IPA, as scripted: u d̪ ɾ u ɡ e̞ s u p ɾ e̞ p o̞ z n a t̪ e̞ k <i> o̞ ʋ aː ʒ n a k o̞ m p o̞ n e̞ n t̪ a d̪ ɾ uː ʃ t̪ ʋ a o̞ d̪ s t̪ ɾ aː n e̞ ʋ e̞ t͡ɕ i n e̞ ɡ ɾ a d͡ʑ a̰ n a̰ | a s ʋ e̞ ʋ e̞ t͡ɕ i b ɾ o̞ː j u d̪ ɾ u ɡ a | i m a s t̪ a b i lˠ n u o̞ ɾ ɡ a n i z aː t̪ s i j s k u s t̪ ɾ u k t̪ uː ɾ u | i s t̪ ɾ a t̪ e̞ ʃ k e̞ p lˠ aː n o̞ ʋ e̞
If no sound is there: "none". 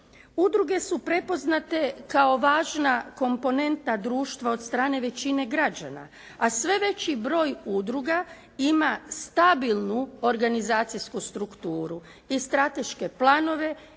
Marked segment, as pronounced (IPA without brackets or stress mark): a